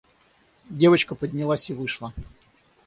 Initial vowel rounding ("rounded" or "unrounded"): unrounded